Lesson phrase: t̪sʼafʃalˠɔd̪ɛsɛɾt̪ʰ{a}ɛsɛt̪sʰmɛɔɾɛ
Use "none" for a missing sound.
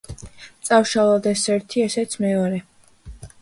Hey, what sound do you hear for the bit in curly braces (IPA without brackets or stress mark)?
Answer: i